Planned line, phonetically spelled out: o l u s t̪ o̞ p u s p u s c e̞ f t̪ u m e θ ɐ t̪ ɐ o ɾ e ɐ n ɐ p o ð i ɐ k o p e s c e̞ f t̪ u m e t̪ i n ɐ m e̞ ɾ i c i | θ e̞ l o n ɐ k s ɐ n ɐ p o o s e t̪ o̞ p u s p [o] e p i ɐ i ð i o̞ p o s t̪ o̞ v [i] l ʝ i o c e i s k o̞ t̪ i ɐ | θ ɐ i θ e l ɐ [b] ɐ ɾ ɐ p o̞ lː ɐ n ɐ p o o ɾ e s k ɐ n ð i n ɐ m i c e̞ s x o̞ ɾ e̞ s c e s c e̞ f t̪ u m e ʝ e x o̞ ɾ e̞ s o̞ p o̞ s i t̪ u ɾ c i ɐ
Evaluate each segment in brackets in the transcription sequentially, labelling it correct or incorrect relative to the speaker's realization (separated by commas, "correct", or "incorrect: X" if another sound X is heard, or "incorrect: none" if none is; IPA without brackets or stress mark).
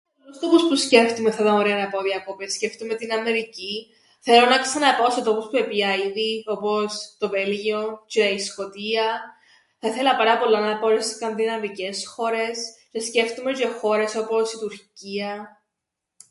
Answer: incorrect: u, incorrect: e, incorrect: p